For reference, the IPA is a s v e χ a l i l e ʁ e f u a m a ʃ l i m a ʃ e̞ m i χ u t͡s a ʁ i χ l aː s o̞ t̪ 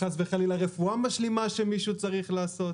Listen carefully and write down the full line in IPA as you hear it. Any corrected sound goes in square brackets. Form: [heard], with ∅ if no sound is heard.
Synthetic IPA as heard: a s v e χ a l i l [a] ʁ e f u a m a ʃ l i m a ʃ e̞ m i [ʃ] u t͡s a ʁ i χ l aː s o̞ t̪